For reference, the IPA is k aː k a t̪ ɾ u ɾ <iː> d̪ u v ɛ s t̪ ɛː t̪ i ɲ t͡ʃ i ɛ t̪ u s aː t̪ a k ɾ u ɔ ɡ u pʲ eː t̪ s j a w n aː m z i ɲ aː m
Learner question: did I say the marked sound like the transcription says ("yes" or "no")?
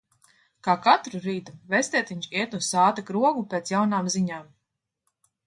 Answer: yes